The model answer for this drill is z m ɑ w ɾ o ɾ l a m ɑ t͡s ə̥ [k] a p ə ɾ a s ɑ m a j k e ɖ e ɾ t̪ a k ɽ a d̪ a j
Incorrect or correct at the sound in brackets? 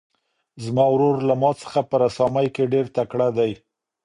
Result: incorrect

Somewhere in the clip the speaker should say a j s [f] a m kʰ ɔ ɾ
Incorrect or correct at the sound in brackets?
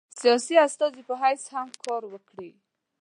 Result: incorrect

